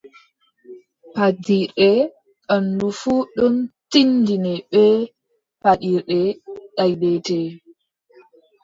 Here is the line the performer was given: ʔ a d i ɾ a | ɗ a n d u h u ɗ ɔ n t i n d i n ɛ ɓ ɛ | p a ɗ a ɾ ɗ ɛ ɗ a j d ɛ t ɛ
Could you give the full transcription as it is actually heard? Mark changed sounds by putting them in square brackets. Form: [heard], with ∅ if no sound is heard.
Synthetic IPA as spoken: [p] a d i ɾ [ɛ] | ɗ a n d u [f] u ɗ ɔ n t i n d i n ɛ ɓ ɛ | p a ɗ [i] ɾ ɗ ɛ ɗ a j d ɛ t ɛ